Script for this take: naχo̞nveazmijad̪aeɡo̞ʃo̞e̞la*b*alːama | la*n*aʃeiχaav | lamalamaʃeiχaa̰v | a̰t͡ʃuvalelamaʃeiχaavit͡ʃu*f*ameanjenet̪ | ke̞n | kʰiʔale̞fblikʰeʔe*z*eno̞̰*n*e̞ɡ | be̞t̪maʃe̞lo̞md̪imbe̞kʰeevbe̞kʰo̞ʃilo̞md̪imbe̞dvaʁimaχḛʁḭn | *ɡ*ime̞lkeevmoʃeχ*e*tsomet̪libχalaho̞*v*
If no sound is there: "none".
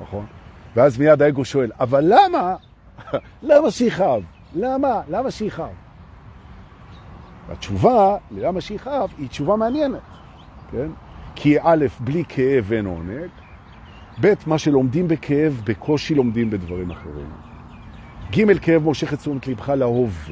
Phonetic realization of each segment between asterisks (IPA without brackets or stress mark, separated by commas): v, m, v, v, n, ɡ, e, v